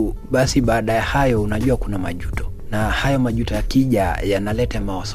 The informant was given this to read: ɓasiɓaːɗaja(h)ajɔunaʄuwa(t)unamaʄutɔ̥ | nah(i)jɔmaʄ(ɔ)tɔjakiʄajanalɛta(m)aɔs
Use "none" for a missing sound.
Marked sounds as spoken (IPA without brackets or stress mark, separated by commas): h, k, a, u, m